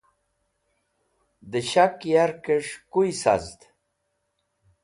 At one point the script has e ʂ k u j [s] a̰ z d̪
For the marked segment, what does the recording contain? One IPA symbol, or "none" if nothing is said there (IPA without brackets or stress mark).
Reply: s